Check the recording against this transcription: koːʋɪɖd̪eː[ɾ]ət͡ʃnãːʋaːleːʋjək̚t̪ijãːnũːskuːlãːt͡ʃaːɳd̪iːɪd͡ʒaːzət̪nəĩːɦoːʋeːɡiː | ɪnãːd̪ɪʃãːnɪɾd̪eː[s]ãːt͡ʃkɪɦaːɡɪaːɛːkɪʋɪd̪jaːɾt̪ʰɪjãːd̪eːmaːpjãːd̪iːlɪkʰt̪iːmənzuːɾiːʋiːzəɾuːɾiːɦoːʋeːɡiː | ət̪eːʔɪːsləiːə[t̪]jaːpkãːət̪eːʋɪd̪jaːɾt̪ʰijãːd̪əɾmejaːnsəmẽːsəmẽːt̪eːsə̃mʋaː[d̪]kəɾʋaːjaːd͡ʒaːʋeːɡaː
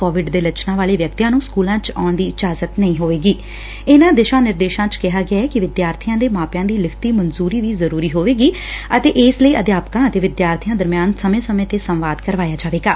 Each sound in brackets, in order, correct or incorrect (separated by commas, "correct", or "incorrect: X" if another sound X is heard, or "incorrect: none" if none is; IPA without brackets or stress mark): incorrect: l, incorrect: ʃ, incorrect: d̪, correct